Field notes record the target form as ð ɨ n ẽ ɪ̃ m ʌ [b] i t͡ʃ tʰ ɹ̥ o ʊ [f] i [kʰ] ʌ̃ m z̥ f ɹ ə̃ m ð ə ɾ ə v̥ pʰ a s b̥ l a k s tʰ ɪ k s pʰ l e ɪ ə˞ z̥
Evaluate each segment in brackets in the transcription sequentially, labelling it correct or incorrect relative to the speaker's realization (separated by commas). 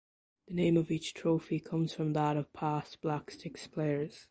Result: incorrect, correct, correct